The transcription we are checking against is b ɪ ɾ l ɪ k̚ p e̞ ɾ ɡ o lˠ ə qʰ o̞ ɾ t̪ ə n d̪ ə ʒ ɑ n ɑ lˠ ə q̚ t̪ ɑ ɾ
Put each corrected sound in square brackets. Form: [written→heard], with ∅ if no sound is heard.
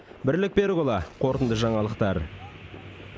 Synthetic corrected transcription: b ɪ ɾ l ɪ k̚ p e̞ ɾ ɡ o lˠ [ə→ɑ] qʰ o̞ ɾ t̪ ə n d̪ ə ʒ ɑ [n→ɴ] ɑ lˠ ə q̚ t̪ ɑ ɾ